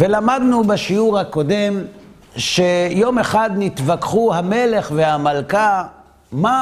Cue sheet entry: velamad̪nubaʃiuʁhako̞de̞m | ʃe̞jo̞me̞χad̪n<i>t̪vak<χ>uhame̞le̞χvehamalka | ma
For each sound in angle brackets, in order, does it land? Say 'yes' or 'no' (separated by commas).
yes, yes